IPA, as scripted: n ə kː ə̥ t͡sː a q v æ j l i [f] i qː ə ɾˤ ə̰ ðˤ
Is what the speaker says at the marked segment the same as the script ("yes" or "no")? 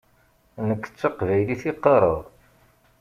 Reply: no